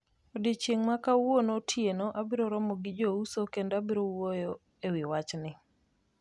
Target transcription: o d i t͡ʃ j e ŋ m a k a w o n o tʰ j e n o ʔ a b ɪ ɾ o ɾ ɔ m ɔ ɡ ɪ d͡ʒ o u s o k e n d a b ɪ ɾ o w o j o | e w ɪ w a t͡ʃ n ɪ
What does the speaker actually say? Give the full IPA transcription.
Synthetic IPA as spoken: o d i t͡ʃ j e ŋ m a k a w o n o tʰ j e n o ʔ a b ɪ ɾ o ɾ ɔ m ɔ ɡ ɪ d͡ʒ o u s o k e n d a b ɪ ɾ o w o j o | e w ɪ w a t͡ʃ n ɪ